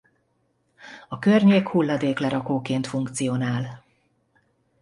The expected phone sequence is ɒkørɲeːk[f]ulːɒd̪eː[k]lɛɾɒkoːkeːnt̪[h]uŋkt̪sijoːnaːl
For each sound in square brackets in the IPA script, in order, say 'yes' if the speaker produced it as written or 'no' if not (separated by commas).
no, yes, no